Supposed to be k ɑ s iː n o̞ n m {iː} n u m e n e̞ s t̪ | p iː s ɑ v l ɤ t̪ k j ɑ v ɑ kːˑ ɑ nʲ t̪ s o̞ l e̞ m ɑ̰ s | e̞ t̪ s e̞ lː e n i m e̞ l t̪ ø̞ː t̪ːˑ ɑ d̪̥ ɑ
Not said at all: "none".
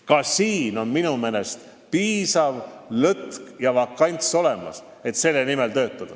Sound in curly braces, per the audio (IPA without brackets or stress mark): i